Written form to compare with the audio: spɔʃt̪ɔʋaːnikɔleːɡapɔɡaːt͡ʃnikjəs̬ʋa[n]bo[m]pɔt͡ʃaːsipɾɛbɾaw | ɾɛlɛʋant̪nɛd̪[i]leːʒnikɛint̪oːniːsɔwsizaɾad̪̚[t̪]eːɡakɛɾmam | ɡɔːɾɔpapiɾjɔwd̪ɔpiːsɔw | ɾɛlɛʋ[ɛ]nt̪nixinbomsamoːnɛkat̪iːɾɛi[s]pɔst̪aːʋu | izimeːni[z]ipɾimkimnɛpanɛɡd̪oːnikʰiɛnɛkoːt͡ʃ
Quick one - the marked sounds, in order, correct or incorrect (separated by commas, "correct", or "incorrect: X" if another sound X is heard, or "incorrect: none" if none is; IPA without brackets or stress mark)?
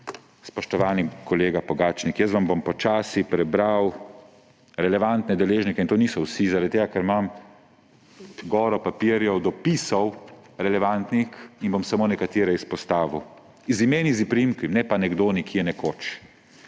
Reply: incorrect: m, correct, incorrect: ɛ, correct, incorrect: a, correct, correct